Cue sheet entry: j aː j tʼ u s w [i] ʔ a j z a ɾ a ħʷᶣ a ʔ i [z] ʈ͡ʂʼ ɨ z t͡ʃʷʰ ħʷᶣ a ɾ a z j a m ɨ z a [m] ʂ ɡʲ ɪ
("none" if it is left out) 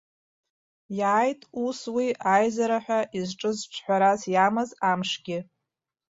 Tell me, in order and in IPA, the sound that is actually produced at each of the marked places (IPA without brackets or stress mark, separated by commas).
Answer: i, z, m